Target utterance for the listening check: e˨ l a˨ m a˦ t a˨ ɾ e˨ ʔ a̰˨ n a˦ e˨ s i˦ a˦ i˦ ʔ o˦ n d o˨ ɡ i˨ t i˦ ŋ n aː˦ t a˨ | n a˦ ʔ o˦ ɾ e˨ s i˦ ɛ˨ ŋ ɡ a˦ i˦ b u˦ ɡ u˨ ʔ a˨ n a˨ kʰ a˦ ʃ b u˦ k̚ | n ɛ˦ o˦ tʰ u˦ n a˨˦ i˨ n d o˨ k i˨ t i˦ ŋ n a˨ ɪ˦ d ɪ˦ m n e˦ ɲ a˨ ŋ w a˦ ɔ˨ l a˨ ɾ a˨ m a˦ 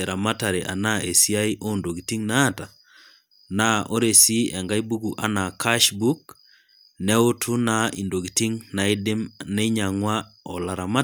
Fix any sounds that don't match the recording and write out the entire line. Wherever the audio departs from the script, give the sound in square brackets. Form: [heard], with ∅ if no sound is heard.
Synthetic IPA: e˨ [ɾ] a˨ m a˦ t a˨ ɾ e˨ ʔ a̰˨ n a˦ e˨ s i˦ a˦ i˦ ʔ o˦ n d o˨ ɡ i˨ t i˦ ŋ n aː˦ t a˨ | n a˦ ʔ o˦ ɾ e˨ s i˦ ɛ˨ ŋ ɡ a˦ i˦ b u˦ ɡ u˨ ʔ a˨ n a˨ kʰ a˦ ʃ b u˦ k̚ | n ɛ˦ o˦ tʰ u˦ n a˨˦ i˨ n d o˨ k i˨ t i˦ ŋ n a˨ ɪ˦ d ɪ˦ m n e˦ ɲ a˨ ŋ w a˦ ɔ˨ l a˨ ɾ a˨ m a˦

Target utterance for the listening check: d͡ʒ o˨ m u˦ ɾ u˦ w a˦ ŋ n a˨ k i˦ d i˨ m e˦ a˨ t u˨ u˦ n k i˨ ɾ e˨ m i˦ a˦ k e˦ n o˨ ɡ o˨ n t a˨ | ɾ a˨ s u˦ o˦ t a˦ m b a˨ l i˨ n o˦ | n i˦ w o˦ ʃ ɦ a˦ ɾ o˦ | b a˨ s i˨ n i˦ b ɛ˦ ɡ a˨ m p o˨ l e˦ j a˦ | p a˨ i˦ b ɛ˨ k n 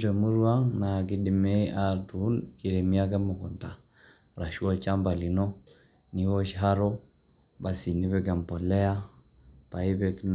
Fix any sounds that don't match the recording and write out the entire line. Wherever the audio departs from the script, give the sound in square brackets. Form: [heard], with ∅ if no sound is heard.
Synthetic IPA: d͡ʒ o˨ m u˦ ɾ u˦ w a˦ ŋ n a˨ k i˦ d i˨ m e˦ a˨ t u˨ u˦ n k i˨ ɾ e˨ m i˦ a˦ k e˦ [m] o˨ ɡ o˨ n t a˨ | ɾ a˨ [ʃ] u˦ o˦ [t͡ʃ] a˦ m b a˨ l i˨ n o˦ | n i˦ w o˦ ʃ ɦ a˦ ɾ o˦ | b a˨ s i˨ n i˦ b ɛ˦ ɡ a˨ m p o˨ l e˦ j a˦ | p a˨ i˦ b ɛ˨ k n

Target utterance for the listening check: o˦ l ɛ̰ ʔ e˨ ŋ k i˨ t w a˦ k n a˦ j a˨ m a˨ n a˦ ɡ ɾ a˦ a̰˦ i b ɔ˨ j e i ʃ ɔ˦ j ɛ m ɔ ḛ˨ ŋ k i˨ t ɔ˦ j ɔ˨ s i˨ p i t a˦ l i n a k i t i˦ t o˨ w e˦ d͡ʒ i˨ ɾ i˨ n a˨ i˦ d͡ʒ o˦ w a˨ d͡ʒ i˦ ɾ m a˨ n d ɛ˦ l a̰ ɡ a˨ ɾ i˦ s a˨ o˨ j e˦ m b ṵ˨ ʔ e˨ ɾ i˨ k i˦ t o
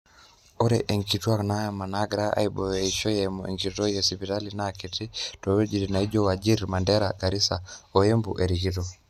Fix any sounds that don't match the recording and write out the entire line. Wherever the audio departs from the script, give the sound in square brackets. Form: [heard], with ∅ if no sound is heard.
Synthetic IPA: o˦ [ɾ] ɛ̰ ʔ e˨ ŋ k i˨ t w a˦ k n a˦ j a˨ m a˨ n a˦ ɡ ɾ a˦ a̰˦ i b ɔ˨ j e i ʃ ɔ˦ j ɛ m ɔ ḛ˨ ŋ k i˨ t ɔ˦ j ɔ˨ s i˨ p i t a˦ l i n a k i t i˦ t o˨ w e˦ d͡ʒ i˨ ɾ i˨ n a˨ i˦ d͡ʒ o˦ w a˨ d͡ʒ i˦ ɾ m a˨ n d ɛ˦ [ɾ] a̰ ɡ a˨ ɾ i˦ s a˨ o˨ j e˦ m b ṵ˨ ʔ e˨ ɾ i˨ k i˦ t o

